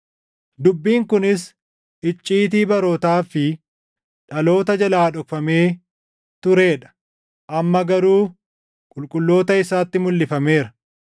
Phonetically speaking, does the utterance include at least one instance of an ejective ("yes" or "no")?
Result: yes